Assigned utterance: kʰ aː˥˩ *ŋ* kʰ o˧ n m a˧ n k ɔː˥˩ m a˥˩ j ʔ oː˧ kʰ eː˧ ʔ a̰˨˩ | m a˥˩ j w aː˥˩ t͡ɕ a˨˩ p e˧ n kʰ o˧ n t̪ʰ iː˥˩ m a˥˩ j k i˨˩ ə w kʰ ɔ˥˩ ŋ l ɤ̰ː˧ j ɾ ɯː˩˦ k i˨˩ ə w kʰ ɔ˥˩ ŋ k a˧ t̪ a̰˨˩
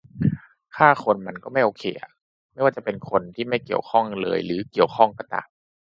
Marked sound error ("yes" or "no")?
yes